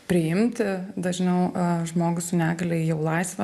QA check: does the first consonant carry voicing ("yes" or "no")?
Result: no